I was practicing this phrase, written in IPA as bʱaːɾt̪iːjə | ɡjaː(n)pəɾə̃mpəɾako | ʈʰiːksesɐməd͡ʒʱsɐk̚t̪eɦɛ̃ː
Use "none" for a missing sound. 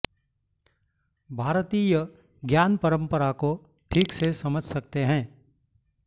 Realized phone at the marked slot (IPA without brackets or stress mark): n